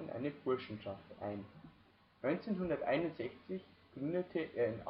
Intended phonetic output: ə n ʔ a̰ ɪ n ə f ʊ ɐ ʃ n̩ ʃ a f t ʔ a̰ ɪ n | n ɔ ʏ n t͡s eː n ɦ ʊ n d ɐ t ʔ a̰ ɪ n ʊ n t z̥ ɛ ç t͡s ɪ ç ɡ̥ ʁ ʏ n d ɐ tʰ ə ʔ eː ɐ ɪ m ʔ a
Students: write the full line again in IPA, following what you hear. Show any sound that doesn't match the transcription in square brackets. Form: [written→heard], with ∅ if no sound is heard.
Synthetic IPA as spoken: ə n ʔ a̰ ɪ n ə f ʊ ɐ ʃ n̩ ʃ a f t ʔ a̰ ɪ n | n ɔ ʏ n t͡s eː n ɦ ʊ n d ɐ t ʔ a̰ ɪ n ʊ n t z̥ ɛ ç t͡s ɪ ç ɡ̥ ʁ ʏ n d [ɐ→ə] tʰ ə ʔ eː ɐ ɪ [m→n] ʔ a